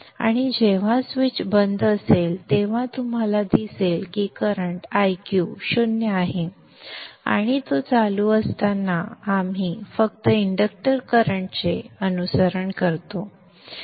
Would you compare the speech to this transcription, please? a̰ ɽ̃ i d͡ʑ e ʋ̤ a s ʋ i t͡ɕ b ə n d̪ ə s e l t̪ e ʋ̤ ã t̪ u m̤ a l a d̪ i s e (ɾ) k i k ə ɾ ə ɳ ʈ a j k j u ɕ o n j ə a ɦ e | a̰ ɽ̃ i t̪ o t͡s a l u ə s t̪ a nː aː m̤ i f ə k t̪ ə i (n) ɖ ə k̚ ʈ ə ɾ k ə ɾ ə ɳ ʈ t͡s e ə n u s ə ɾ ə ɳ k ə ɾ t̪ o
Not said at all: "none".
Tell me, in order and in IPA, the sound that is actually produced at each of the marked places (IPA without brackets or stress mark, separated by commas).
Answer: l, ɳ